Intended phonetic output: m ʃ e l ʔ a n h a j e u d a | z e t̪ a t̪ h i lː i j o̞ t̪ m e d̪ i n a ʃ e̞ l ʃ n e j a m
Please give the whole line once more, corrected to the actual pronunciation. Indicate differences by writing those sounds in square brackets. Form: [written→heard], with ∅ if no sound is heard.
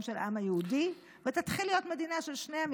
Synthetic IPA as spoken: m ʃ e l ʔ a [n→m] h a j e u d [a→i] | [z→v] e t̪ a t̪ [h→χ] i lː i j o̞ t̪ m e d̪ i n a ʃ e̞ l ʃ n e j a m